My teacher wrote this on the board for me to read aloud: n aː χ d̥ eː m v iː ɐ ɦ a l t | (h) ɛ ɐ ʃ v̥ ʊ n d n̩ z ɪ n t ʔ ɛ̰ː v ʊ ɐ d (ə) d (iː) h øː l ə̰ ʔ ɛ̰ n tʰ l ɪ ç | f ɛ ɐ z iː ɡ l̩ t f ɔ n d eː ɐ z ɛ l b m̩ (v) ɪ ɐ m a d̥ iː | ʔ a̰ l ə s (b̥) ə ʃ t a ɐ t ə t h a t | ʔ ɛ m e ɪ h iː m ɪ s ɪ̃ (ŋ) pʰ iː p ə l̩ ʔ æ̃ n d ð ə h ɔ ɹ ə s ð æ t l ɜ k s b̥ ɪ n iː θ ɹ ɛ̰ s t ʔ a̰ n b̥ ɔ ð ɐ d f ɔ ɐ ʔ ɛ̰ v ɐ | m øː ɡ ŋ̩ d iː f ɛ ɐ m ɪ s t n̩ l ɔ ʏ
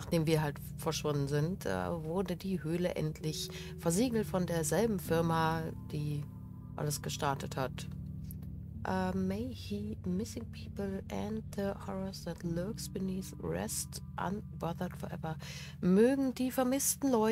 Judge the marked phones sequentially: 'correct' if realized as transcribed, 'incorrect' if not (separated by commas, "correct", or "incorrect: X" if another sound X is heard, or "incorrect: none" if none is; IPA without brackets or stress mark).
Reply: incorrect: f, correct, correct, incorrect: f, incorrect: ɡ̥, correct